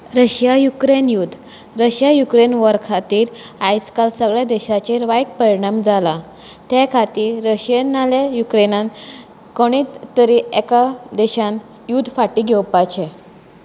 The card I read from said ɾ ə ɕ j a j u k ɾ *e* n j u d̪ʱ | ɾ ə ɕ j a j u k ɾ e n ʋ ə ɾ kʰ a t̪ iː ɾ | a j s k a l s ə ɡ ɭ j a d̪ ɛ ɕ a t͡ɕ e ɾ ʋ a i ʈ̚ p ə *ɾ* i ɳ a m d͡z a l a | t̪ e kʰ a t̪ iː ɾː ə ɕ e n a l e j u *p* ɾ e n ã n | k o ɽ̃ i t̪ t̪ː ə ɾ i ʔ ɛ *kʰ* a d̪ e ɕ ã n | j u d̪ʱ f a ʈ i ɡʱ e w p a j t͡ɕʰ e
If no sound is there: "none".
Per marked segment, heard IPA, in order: e, ɾ, k, k

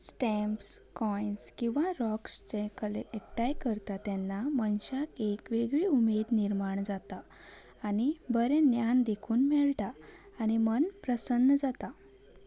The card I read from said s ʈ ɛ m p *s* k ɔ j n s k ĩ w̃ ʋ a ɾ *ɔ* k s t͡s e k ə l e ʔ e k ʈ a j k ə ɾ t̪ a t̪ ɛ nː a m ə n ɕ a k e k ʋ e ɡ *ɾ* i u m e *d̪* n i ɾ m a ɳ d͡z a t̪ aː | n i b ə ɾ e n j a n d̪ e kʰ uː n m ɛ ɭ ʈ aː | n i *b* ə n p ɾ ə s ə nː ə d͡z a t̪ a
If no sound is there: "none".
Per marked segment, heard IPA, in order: s, ɔ, ɭ, d̪, m

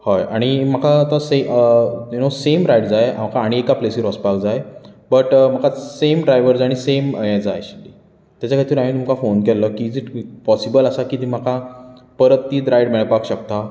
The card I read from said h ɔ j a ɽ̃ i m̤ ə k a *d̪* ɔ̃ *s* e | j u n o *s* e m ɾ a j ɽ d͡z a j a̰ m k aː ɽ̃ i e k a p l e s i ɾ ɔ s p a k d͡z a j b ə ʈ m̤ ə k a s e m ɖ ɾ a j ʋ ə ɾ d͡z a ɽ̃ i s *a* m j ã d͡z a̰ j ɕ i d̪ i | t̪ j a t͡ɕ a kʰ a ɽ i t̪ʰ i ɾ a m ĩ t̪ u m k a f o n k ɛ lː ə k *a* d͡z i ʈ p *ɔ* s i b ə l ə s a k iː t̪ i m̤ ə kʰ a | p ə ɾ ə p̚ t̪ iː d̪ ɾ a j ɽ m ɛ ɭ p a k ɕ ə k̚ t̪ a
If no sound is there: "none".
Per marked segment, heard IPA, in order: t̪, s, s, e, i, ɔ

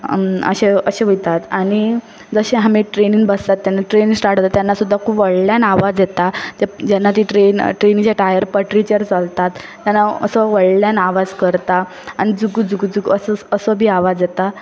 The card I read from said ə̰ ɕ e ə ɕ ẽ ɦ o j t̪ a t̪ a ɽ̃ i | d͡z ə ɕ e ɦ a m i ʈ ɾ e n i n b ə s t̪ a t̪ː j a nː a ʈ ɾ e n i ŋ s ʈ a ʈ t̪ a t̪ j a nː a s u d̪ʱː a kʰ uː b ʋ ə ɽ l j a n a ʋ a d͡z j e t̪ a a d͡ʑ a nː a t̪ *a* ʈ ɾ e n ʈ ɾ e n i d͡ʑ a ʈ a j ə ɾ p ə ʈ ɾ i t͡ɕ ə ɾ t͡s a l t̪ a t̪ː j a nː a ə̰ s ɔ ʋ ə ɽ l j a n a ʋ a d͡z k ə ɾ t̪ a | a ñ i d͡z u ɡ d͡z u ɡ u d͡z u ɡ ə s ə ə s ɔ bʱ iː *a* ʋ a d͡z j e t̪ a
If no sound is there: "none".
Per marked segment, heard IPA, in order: i, a

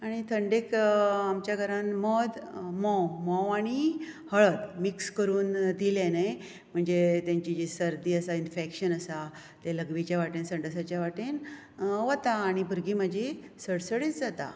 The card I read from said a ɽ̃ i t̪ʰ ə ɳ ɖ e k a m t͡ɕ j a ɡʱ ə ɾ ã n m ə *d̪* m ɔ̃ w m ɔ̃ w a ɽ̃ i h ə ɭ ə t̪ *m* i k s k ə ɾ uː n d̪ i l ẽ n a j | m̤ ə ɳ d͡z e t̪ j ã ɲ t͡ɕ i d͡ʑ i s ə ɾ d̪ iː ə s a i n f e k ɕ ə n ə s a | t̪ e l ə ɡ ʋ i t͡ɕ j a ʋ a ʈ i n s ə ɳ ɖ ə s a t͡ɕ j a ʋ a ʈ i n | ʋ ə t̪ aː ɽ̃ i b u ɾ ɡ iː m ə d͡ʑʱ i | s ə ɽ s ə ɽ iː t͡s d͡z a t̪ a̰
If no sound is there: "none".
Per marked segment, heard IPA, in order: d̪, m

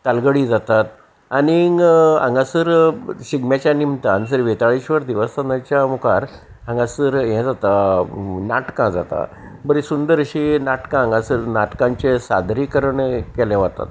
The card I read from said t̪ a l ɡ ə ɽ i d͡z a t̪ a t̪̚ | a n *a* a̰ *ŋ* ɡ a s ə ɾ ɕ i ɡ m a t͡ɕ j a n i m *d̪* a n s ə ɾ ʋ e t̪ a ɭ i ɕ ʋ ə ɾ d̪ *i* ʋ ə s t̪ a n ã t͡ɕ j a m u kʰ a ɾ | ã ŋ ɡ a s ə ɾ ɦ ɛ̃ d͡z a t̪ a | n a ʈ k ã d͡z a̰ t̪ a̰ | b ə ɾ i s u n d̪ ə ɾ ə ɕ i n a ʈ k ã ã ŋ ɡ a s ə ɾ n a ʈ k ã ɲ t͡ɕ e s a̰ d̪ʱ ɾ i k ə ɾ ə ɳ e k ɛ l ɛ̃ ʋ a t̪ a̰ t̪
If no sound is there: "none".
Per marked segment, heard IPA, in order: i, ŋ, t̪, i

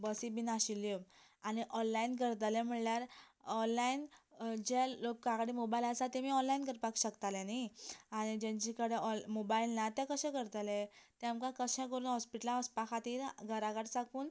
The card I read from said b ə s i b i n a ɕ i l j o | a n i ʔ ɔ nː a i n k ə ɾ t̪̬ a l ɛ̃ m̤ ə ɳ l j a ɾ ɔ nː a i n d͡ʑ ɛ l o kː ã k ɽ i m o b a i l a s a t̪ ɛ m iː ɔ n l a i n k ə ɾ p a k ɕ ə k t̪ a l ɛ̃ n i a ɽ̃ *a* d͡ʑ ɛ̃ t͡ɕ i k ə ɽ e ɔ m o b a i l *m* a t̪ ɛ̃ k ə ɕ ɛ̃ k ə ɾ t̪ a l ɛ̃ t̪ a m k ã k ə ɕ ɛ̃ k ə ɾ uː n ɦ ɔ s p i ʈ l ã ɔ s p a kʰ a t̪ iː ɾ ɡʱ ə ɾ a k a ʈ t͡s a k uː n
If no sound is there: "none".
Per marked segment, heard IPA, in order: i, n

